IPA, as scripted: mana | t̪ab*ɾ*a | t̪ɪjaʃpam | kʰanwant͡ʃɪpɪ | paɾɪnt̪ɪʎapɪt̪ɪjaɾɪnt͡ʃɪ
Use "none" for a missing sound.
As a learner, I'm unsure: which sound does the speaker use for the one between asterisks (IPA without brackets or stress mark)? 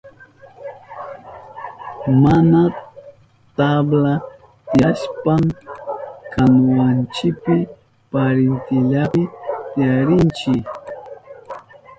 l